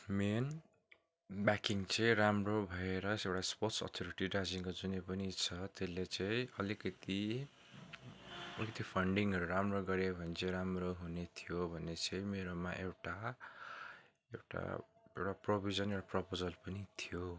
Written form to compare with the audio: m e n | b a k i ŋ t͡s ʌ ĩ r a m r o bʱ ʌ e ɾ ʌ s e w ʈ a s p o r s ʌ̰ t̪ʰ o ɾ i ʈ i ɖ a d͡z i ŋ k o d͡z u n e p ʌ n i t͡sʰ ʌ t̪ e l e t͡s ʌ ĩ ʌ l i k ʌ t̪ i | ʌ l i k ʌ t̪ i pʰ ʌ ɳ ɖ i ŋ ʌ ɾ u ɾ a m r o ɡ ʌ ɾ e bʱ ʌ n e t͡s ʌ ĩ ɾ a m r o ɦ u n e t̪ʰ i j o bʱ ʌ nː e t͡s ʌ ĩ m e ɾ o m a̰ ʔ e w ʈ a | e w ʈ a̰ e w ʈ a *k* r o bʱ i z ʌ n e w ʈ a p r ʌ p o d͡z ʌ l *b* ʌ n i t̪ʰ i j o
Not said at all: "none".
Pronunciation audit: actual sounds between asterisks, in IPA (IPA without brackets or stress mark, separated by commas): p, p